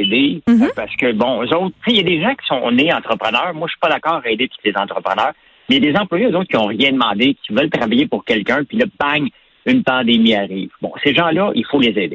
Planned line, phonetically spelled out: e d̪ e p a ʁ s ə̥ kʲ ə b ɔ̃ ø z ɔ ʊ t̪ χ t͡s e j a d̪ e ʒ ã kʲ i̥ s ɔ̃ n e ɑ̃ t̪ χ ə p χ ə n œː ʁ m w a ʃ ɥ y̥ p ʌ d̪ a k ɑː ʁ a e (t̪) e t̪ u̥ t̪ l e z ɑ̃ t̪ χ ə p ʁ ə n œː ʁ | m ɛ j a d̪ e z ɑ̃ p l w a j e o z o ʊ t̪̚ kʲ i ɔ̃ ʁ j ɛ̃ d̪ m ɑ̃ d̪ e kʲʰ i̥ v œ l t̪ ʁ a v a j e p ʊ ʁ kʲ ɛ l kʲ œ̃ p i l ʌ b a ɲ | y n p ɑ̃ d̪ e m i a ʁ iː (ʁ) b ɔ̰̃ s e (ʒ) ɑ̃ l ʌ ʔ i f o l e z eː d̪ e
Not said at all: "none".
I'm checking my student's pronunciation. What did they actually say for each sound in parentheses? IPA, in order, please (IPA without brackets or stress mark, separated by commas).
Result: d̪, v, ʒ